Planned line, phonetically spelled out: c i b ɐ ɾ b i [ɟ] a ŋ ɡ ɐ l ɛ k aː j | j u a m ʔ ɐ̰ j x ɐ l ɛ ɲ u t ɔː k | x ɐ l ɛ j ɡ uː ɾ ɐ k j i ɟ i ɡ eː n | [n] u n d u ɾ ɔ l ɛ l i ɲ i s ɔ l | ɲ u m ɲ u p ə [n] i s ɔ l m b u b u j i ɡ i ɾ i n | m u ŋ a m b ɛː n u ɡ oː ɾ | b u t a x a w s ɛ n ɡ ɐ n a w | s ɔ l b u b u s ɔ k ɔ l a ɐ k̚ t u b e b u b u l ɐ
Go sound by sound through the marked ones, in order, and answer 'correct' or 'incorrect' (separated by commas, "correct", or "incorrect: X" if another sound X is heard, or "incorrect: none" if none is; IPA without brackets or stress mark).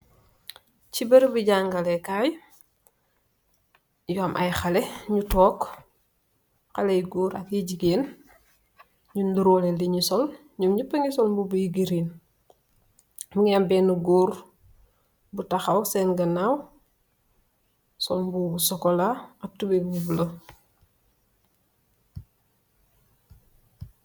correct, incorrect: ɲ, incorrect: ŋ